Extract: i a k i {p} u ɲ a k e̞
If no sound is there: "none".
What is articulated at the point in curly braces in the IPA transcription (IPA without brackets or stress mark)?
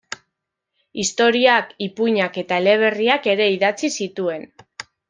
p